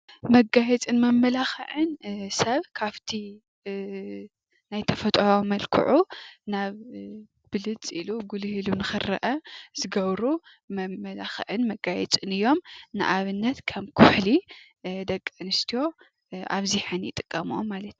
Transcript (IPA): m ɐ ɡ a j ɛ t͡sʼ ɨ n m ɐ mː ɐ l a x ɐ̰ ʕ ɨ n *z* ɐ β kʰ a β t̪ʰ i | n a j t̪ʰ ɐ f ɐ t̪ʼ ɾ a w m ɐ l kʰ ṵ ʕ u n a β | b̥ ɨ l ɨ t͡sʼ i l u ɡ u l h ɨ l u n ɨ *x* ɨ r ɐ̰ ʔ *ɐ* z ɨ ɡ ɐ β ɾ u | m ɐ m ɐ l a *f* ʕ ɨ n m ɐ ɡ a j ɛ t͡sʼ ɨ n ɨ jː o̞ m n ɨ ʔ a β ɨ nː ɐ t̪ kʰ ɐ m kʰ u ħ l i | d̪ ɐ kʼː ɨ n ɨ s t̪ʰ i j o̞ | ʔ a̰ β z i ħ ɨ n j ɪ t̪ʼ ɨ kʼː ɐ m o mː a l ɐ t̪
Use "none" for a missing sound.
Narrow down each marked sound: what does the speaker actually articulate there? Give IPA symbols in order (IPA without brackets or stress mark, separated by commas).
s, x, ɐ, x